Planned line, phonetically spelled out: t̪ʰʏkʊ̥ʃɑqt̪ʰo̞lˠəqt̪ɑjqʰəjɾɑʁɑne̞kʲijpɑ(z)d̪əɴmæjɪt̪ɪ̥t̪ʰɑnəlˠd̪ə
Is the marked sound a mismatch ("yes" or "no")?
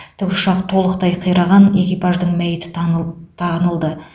yes